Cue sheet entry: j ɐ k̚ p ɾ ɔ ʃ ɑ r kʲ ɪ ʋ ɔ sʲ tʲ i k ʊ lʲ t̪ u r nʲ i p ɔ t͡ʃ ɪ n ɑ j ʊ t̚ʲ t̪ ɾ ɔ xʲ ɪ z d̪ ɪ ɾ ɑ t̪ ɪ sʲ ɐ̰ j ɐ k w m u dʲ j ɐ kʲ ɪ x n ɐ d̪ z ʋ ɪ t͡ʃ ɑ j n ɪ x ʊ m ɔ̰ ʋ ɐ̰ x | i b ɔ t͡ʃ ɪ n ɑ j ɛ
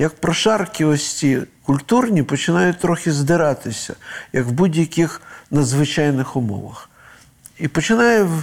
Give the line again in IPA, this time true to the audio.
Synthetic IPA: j ɐ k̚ p ɾ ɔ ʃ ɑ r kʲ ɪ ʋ ɔ sʲ tʲ i k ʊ lʲ t̪ u r nʲ i p ɔ t͡ʃ ɪ n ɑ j ʊ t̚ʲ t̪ ɾ ɔ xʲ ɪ z d̪ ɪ ɾ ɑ t̪ ɪ sʲ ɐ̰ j ɐ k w b u dʲ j ɐ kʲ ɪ x n ɐ d̪ z ʋ ɪ t͡ʃ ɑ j n ɪ x ʊ m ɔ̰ ʋ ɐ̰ x | i p ɔ t͡ʃ ɪ n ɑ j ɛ